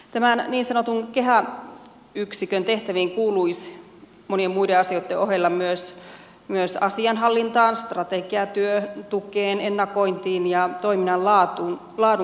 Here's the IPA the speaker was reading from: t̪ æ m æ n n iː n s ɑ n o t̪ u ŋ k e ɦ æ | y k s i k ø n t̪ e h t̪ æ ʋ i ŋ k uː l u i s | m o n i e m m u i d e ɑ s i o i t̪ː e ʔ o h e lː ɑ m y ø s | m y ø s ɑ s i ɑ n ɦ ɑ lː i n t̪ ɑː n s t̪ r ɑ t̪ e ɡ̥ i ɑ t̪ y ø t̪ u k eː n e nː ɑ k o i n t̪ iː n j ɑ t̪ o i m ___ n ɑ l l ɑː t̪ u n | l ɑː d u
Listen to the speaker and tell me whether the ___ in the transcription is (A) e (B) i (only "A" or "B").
B